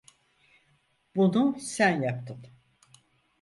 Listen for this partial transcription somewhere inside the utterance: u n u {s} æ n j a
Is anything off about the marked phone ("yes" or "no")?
no